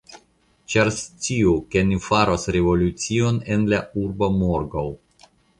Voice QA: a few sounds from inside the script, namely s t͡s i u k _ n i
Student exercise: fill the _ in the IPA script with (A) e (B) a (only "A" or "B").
A